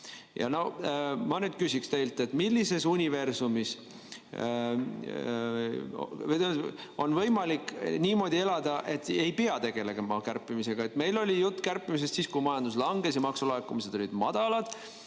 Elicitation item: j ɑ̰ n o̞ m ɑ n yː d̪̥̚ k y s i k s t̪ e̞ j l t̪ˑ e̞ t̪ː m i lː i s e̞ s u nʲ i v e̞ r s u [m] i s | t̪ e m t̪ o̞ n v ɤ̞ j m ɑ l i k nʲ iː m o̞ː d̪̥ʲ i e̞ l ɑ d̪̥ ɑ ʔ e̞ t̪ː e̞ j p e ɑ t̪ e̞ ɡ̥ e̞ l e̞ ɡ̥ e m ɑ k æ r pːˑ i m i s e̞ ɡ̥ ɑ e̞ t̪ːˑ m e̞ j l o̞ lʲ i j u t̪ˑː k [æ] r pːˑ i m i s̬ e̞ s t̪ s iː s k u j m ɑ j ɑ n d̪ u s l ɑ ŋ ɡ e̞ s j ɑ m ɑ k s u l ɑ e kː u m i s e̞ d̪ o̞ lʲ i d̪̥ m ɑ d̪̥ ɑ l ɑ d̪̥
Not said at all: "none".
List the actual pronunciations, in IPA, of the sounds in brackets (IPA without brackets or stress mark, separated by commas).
m, æ